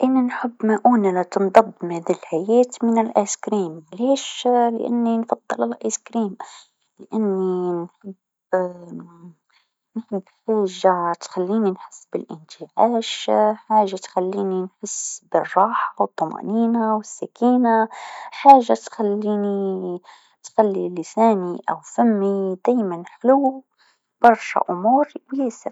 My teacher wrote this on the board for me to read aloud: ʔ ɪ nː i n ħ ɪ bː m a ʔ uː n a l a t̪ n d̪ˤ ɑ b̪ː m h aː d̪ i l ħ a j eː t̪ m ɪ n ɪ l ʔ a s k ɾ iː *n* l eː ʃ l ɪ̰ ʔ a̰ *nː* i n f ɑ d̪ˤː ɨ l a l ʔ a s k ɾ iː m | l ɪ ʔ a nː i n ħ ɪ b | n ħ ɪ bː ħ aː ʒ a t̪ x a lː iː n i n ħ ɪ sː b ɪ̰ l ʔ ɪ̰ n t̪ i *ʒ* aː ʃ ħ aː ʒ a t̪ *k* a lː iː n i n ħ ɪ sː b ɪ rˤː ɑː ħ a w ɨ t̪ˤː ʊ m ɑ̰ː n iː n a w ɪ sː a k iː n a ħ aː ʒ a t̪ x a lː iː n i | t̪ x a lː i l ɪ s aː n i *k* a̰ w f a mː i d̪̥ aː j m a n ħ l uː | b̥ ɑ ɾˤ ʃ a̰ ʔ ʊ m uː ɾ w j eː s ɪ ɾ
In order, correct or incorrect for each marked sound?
incorrect, correct, incorrect, incorrect, incorrect

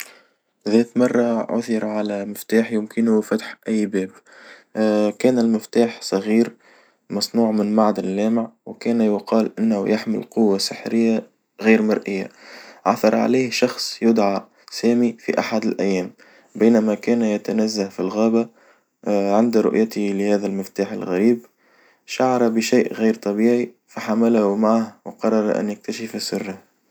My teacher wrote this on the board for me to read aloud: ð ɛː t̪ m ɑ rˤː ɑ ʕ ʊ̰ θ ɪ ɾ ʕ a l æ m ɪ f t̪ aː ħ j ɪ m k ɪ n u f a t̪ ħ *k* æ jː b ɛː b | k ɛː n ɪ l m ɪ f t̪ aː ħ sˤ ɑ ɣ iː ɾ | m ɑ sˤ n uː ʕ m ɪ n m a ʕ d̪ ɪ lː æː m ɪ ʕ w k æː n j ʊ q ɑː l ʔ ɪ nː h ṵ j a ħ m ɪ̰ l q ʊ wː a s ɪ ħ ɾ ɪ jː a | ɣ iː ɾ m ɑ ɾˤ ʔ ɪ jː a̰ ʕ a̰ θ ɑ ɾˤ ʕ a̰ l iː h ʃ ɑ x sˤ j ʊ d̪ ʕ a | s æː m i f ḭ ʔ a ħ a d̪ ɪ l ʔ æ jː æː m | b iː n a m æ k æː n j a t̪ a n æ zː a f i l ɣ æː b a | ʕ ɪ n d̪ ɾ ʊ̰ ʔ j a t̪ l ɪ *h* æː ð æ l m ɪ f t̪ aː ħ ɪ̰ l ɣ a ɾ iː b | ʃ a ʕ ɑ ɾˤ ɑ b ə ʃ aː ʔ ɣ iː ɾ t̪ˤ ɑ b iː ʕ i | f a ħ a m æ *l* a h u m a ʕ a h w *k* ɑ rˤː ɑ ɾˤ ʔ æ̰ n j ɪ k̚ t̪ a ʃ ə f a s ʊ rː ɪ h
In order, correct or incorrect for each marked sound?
incorrect, correct, correct, incorrect

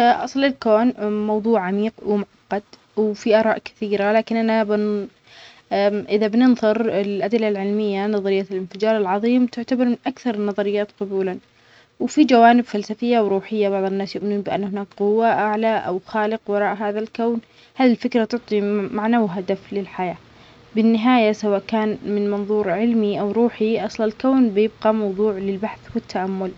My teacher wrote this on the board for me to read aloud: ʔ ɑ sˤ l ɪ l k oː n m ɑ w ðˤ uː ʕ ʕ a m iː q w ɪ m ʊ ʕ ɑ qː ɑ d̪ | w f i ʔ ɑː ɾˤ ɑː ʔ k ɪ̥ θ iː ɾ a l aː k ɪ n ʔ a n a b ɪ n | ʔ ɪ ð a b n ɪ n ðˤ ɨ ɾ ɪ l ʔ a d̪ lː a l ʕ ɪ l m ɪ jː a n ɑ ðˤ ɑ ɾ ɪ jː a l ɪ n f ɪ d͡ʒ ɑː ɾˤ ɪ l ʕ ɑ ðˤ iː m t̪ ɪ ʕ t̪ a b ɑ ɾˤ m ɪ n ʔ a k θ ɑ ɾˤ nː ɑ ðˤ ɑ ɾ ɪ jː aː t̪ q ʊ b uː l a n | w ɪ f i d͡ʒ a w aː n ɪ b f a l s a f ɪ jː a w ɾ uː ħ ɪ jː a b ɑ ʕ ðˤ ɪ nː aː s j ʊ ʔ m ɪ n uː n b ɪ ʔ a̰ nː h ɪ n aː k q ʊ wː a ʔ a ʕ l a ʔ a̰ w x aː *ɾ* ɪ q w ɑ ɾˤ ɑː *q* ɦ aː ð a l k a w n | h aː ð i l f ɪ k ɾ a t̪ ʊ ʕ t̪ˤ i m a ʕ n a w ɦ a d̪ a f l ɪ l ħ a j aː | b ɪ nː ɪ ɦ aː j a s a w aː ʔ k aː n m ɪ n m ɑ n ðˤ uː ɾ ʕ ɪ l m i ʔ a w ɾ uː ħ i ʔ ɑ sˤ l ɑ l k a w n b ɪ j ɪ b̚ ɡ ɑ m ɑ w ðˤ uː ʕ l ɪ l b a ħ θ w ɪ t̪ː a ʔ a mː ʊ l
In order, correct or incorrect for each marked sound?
incorrect, incorrect

